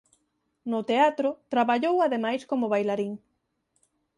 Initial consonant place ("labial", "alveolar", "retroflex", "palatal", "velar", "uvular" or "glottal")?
alveolar